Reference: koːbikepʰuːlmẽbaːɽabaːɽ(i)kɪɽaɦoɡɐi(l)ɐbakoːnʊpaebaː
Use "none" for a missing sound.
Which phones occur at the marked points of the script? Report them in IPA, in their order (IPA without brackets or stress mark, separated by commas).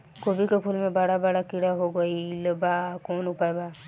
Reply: a, l